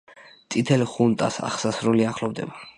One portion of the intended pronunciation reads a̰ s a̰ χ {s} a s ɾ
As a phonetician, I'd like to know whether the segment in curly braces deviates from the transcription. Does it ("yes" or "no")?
no